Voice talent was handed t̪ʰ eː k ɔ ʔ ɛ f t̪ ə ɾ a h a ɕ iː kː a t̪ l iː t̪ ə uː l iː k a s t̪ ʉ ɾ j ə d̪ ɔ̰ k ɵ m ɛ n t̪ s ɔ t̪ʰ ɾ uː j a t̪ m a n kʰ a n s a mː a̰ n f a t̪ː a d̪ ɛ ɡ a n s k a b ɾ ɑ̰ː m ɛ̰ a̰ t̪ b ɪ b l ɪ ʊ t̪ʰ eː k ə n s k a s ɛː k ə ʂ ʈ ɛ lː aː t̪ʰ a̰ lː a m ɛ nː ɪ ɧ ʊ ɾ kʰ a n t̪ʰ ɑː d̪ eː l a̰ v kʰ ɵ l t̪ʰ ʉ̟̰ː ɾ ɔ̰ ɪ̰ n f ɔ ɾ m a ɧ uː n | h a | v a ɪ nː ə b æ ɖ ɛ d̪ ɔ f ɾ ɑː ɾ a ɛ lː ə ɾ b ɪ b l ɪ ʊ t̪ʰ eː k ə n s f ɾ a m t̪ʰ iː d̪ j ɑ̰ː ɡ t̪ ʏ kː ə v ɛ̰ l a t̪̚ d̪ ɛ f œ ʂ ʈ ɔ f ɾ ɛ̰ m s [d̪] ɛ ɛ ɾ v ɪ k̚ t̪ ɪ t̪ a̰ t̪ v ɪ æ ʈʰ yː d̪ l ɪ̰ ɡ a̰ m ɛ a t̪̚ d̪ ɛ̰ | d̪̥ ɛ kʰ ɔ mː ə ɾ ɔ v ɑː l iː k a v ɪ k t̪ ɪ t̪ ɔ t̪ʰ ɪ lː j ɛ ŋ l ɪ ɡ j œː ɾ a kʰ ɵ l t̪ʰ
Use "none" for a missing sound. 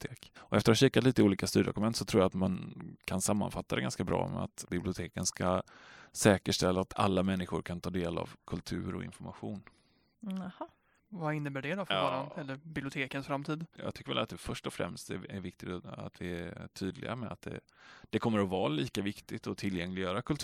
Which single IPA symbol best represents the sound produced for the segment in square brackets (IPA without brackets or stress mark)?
t̪